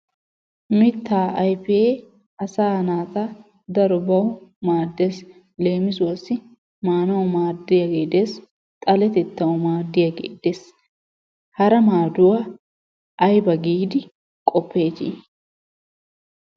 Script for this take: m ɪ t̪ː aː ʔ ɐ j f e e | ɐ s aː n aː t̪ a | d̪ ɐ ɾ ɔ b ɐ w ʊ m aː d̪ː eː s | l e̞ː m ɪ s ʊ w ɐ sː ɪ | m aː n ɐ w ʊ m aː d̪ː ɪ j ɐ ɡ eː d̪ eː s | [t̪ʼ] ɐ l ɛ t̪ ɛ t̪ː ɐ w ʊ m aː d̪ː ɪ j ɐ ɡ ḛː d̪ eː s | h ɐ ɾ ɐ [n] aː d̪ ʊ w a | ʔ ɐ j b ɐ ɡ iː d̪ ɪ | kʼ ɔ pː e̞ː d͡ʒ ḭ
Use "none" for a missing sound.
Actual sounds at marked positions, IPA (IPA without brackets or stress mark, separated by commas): t̪ʼ, m